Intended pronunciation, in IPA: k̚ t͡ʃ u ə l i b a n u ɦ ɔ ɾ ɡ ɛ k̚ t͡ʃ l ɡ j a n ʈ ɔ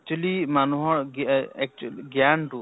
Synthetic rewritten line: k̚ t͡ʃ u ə l i m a n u ɦ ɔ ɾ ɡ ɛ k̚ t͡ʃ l ɡ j a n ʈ u